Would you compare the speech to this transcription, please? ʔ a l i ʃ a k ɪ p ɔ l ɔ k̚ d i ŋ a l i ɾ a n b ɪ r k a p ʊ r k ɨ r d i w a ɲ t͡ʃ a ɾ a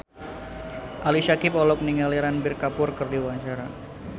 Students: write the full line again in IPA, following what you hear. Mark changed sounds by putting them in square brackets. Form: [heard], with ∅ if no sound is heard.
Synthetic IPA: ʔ a l i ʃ a k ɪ p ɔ l ɔ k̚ [n] i ŋ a l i ɾ a n b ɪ r k a p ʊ r k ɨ r d i w a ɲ t͡ʃ a ɾ a